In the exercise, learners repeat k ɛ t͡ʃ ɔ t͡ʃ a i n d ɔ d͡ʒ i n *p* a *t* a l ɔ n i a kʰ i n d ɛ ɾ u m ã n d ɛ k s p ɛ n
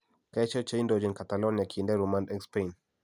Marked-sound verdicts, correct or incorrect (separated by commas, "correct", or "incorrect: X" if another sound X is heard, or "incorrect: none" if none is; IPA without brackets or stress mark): incorrect: k, correct